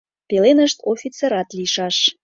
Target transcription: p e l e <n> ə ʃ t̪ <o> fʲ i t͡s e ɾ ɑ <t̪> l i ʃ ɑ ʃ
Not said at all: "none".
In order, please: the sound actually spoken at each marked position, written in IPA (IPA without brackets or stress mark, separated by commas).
n, o, t̪